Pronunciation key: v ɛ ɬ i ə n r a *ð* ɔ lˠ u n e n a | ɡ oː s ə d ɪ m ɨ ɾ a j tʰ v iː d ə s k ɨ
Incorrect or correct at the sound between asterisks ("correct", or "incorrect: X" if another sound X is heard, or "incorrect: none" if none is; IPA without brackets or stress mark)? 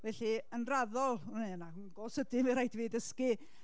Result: correct